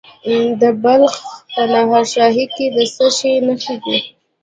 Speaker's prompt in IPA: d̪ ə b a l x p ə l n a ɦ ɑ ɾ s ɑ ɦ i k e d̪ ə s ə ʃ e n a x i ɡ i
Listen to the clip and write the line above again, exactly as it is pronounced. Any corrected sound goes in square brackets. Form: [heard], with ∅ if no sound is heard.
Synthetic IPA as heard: d̪ ə b a l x p ə [∅] n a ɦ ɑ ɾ [ʃ] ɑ ɦ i k e d̪ ə s ə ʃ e n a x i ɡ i